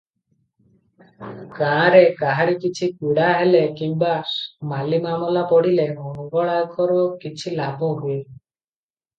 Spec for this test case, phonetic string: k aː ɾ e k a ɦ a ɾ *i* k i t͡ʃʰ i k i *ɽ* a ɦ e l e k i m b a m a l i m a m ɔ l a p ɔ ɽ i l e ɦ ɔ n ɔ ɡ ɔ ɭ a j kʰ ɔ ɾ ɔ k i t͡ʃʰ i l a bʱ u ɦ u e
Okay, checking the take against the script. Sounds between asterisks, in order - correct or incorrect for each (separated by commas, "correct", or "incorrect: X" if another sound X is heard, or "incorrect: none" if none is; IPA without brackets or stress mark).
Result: correct, correct